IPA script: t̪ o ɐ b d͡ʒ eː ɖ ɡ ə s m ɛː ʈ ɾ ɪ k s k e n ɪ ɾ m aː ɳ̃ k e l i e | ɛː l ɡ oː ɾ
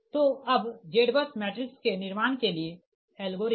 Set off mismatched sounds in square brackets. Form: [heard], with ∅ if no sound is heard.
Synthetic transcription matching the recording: t̪ o ɐ b d͡ʒ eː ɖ [b] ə s m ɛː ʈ ɾ ɪ k s k e n ɪ ɾ m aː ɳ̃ k e l i e | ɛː l ɡ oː ɾ